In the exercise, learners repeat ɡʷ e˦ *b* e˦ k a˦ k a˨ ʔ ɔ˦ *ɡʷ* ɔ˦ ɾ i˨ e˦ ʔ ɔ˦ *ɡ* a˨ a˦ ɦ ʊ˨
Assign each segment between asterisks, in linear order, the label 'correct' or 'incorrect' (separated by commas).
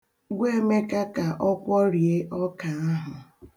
incorrect, incorrect, incorrect